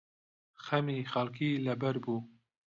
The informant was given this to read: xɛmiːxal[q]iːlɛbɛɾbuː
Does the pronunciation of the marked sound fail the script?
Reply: yes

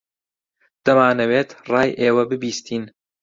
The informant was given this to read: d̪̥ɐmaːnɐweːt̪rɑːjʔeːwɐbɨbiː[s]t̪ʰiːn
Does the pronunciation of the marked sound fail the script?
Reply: no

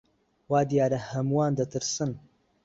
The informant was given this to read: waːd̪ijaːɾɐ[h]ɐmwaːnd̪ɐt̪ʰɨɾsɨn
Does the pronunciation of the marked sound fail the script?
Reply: no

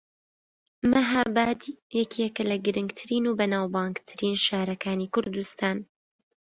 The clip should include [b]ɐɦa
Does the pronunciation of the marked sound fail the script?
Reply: yes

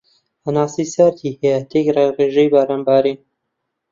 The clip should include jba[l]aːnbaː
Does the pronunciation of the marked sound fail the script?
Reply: yes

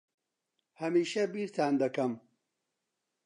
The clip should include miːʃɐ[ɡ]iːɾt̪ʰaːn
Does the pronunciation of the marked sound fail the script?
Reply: yes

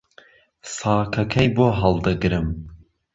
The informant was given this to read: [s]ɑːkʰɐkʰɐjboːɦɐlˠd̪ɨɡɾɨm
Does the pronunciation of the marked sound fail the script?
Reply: no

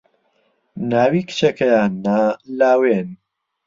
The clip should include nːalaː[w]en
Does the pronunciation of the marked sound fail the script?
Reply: no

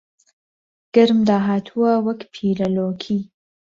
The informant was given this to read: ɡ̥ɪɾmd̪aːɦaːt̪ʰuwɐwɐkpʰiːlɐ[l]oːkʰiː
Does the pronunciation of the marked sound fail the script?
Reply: no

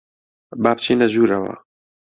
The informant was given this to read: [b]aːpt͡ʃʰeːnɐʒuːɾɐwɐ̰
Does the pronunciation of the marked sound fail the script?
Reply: no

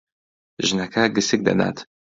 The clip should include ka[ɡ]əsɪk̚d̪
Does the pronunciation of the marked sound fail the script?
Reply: no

